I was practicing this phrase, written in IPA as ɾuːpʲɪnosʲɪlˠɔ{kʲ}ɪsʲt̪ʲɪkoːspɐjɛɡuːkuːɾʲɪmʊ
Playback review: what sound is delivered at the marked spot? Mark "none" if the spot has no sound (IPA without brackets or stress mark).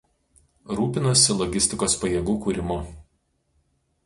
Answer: ɡʲ